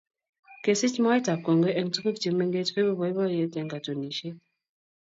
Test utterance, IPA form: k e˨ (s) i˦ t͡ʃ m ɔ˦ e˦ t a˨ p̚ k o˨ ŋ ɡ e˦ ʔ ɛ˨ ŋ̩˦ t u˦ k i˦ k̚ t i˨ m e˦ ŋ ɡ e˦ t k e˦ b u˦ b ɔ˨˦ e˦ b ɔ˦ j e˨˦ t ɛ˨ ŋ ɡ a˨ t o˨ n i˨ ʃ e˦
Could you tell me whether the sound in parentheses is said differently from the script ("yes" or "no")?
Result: no